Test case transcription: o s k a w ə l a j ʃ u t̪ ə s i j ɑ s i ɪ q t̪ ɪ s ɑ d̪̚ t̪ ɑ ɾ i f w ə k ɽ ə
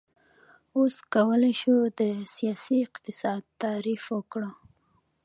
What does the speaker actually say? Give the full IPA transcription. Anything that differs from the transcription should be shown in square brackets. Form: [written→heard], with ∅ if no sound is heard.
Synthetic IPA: o s k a w ə l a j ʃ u [t̪→d̪] ə s i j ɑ s i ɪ q t̪ ɪ s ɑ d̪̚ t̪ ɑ ɾ i f w ə k ɽ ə